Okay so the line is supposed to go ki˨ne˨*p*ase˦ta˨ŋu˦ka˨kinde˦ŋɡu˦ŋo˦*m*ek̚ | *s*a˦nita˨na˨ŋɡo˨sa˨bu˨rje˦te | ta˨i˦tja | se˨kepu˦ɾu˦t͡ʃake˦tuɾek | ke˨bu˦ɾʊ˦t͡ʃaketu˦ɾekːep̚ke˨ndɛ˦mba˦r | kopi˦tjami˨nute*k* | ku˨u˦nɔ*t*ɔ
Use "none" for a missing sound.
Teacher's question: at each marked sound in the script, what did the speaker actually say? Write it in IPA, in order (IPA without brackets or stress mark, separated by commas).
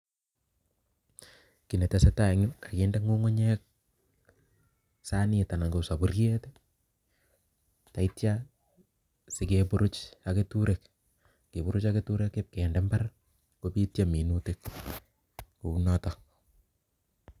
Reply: t, ɲ, s, k, t